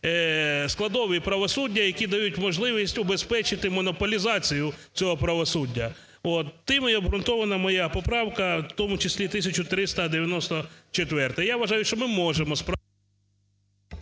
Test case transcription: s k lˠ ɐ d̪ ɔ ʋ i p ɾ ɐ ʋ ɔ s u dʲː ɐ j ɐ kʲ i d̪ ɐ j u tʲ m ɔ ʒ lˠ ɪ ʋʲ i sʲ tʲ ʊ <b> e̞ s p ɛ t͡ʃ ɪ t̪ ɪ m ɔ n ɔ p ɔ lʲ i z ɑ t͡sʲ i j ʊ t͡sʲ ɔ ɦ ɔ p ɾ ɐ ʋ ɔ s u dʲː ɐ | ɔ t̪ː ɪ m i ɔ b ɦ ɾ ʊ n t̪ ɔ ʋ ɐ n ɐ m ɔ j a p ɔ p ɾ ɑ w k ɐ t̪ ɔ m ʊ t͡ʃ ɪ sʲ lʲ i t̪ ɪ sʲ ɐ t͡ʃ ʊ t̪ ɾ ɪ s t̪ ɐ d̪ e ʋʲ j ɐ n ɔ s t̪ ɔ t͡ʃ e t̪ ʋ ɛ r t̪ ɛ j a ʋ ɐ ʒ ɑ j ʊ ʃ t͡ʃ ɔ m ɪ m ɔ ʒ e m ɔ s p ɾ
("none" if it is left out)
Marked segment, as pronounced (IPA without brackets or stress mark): b